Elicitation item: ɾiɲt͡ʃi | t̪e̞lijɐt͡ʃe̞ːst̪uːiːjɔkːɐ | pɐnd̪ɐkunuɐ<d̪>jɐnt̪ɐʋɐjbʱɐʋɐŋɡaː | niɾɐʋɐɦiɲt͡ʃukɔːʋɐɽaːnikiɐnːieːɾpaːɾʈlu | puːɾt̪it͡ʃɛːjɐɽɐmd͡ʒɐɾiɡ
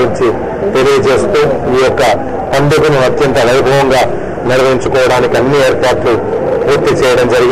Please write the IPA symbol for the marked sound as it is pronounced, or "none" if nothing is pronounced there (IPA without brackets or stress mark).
t̪